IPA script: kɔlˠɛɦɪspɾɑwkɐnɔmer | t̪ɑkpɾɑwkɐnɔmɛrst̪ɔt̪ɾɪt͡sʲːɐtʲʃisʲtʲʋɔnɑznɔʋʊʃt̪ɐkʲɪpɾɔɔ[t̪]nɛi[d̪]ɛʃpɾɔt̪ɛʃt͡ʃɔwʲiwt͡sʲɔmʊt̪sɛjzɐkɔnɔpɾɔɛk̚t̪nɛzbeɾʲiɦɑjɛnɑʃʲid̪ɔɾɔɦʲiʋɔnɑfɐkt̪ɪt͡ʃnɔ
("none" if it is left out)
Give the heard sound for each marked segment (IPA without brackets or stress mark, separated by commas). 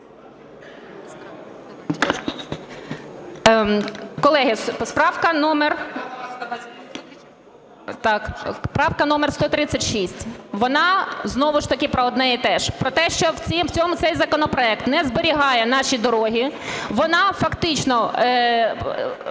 d̪, t̪